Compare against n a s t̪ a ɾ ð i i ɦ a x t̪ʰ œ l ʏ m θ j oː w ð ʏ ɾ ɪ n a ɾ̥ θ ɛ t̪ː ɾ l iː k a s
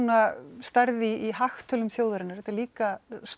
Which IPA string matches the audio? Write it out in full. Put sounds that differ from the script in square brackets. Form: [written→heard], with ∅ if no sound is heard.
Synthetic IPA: n a s t̪ a ɾ ð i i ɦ a x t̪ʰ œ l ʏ m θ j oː w ð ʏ ɾ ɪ n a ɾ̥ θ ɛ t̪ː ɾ l iː k a s

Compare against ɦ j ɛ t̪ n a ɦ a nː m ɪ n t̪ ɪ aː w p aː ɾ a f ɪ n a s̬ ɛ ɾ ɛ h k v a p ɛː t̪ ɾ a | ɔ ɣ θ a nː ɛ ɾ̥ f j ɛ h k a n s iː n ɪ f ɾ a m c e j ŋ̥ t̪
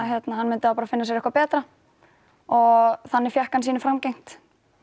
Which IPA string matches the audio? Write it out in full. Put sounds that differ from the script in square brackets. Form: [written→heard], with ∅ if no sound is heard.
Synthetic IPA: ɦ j ɛ t̪ n a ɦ a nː m ɪ n t̪ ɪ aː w p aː ɾ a f ɪ [n→nː] a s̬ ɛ ɾ ɛ h k v a p ɛː t̪ ɾ a | ɔ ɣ θ a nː ɛ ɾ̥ f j ɛ h k a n s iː n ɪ f ɾ a m c e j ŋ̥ t̪

